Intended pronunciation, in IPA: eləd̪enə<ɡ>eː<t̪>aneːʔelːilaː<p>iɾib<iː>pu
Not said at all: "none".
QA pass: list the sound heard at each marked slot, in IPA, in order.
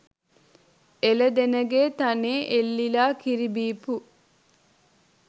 ɡ, t̪, k, iː

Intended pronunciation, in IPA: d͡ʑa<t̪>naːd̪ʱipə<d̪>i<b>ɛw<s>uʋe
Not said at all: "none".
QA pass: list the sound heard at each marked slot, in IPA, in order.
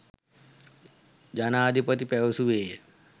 none, t̪, p, s

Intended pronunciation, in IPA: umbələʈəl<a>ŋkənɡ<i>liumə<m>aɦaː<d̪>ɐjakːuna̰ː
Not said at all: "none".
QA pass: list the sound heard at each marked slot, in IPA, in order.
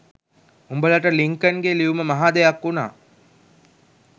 i, e, m, d̪

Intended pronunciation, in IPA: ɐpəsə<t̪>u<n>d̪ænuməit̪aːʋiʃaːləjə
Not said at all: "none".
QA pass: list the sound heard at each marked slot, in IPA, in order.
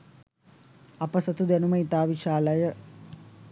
t̪, none

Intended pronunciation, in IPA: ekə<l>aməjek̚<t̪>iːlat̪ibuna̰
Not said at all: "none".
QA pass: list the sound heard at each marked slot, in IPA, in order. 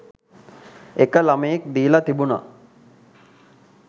l, d̪

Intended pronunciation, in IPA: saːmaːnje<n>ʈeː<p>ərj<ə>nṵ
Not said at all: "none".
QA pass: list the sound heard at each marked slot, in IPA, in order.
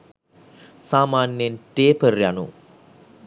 n, p, a

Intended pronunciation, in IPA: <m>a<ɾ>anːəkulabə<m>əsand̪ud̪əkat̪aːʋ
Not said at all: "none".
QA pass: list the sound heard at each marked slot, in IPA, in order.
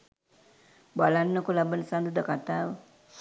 b, l, n

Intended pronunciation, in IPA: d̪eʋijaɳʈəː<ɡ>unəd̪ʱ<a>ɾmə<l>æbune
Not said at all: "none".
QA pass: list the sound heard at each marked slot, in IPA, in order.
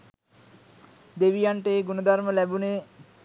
ɡ, a, l

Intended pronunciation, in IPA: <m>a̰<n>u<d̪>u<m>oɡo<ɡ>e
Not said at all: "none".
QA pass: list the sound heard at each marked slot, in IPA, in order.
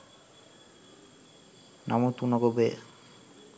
n, m, t̪, n, b

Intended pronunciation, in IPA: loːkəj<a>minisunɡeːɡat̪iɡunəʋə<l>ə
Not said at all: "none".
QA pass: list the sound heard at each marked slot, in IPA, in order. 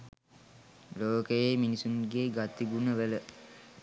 e, l

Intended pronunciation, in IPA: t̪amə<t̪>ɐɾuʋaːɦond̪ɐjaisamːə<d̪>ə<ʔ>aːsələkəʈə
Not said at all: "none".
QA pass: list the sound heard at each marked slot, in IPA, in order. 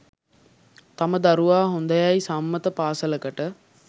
d̪, t̪, p

